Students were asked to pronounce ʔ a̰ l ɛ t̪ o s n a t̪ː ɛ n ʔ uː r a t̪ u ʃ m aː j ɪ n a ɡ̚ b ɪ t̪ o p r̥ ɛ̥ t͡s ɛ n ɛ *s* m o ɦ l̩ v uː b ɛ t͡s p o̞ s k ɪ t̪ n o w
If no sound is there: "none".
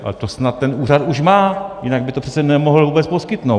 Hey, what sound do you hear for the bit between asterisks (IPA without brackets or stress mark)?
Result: none